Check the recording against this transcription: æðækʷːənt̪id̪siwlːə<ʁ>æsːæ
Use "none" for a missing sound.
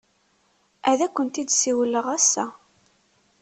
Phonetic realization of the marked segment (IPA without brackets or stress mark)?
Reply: ʁ